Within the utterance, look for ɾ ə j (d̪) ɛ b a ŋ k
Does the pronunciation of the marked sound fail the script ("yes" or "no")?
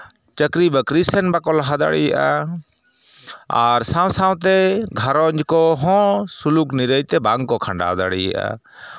yes